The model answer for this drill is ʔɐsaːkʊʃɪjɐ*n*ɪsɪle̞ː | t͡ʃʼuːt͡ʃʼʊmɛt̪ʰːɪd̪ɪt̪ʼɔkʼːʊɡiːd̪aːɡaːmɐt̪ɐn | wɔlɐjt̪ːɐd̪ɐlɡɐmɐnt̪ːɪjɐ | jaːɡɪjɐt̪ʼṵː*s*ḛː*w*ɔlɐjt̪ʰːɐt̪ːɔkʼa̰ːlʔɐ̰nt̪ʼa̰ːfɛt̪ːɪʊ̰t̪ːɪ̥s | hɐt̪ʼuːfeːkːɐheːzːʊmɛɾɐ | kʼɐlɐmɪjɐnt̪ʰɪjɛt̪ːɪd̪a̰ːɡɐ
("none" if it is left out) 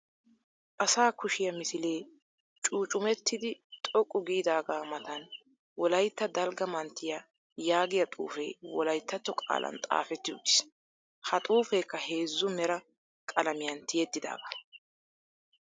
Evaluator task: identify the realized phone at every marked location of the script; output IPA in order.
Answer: m, f, w

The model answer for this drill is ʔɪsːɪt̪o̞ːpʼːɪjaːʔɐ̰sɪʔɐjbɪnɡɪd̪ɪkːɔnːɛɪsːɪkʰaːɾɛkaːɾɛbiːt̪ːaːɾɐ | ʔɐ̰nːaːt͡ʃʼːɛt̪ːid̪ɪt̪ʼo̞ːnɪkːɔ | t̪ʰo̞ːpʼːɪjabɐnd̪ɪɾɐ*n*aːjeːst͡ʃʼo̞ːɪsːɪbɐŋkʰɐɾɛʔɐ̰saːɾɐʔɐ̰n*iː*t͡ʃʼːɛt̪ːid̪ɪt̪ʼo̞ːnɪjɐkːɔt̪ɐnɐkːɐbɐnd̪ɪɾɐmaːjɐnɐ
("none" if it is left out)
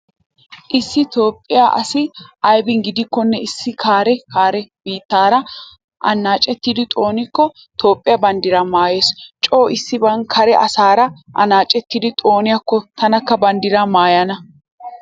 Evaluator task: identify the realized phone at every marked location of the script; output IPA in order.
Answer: m, aː

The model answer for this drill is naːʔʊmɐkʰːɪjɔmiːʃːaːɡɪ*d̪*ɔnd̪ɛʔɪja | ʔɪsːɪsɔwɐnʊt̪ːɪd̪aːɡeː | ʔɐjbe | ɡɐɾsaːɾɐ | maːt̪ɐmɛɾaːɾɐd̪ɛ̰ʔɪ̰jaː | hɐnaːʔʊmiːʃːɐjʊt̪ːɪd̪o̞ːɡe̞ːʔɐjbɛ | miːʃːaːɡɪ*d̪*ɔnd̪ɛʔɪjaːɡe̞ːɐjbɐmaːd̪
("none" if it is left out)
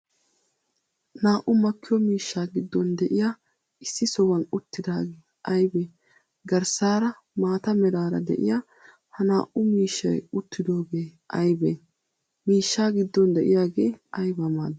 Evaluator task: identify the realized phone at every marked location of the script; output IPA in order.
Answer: d̪ː, d̪ː

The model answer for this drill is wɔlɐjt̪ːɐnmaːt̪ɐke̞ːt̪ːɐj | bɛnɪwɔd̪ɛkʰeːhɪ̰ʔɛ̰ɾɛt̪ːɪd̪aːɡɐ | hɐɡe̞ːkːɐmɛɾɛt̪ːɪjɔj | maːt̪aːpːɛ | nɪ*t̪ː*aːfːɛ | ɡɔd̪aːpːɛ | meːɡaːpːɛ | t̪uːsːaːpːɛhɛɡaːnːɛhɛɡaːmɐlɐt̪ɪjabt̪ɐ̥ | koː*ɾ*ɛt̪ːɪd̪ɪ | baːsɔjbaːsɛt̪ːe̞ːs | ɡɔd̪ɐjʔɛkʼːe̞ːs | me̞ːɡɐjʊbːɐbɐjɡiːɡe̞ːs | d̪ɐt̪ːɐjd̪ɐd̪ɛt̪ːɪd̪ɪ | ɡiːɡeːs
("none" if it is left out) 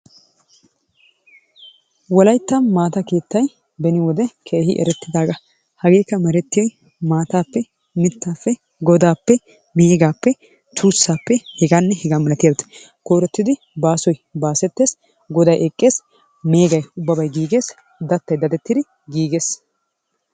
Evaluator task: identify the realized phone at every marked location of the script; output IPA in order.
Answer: t̪ː, ɾ

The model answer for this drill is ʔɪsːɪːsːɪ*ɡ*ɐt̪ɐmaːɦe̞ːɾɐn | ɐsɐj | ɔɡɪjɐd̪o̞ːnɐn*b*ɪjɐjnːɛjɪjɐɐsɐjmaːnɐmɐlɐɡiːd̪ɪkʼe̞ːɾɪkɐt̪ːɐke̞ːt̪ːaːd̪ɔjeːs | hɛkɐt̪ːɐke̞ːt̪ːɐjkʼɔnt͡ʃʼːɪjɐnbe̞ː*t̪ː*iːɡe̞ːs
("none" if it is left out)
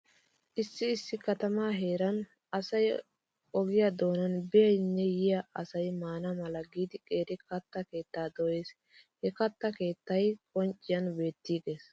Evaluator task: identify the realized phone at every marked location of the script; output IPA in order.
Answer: k, b, t̪ː

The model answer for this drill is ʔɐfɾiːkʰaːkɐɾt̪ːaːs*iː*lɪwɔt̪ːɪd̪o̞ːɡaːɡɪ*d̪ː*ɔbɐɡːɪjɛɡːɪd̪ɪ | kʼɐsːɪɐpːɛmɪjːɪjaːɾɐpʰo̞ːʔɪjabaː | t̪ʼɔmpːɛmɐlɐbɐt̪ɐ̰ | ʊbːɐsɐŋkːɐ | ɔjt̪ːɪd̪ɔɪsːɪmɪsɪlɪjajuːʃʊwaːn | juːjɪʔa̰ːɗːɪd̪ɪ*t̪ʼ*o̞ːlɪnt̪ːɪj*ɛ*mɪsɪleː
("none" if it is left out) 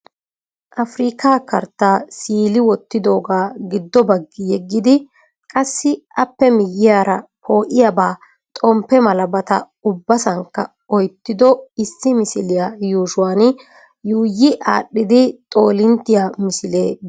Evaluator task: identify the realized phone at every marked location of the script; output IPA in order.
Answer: iː, d̪ː, t̪ʼ, a

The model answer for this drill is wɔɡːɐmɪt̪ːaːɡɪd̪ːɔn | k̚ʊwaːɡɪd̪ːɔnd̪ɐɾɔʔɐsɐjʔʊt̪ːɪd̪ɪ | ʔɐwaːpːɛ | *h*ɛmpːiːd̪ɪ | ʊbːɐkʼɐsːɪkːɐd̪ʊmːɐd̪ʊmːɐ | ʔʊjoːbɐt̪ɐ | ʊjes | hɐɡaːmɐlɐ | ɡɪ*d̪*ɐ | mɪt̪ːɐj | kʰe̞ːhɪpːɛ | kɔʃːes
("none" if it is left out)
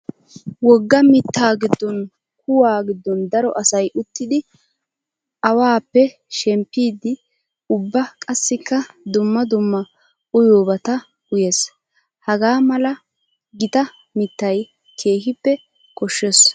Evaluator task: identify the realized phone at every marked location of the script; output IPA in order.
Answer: ʃ, t̪

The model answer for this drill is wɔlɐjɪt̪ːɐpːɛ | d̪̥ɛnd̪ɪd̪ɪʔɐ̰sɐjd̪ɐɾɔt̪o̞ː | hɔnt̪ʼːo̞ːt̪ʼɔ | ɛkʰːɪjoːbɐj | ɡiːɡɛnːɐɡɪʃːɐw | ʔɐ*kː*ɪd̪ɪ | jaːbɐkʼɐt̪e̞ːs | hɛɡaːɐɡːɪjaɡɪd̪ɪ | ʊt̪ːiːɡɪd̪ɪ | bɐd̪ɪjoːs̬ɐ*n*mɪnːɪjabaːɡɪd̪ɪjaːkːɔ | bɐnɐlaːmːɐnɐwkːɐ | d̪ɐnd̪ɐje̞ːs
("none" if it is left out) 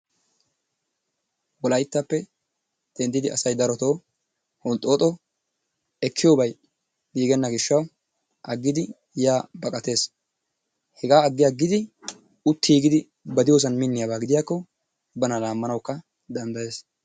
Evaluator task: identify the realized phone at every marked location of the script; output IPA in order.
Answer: ɡː, n

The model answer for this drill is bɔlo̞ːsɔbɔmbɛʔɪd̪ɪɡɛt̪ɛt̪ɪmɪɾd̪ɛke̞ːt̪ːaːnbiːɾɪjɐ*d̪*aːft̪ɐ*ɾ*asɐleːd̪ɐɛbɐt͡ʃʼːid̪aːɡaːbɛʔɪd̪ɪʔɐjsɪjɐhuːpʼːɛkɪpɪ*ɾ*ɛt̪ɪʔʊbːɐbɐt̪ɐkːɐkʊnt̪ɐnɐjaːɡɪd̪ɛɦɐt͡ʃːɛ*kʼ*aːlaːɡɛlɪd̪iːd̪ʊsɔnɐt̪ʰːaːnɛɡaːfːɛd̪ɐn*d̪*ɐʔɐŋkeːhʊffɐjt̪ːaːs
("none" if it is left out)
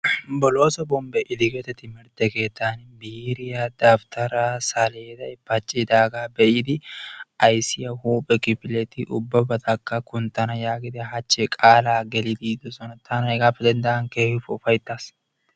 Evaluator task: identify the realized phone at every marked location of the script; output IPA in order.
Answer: d̪, ɾ, l, kʼ, d̪

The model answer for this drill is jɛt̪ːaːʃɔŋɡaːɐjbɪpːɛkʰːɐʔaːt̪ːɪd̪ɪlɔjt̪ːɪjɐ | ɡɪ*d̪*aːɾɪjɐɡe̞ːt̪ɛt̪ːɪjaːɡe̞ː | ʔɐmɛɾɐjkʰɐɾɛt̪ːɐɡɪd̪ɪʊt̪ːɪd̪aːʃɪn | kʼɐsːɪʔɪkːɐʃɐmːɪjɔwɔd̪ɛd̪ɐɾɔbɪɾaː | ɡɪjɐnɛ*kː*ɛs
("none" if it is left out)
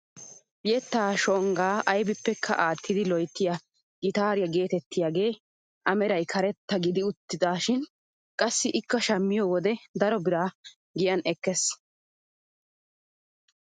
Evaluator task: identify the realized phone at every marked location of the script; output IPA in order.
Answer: t̪, kː

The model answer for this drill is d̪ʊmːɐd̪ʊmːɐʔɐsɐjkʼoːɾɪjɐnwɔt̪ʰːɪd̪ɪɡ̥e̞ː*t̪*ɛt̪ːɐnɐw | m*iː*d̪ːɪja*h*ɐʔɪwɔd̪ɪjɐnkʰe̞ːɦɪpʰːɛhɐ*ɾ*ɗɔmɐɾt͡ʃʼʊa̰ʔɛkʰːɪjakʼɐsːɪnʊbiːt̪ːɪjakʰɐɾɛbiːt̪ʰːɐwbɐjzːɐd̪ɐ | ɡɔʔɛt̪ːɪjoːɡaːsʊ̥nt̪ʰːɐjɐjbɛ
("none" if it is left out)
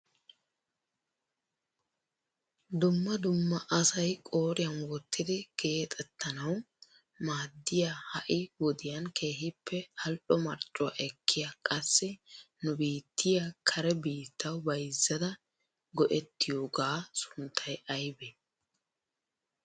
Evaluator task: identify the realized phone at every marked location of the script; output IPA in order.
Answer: t̪ʼ, aː, h, l

